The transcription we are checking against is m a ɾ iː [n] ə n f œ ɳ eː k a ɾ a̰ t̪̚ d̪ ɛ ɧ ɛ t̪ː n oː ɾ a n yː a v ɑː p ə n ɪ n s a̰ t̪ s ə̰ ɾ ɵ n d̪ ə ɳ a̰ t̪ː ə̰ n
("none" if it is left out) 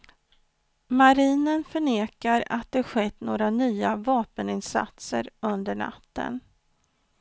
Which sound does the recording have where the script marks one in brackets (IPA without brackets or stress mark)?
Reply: n